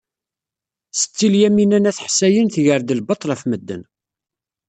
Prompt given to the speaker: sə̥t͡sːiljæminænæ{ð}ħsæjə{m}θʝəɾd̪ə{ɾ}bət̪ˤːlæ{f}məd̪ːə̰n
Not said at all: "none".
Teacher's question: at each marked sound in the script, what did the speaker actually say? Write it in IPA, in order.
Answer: θ, n, l, f

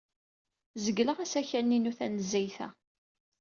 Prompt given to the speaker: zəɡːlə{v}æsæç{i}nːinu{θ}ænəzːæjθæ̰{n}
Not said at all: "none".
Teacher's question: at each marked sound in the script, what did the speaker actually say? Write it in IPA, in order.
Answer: ʁ, æ, θ, none

